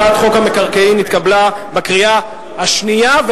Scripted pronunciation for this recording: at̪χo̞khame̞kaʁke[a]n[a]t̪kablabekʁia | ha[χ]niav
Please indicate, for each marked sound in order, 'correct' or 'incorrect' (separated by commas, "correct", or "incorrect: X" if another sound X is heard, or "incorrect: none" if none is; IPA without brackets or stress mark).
incorrect: i, incorrect: i, incorrect: ʃ